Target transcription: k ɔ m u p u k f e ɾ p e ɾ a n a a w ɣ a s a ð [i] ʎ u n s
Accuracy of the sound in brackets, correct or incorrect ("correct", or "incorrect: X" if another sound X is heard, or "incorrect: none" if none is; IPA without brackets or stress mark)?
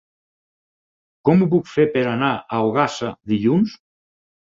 correct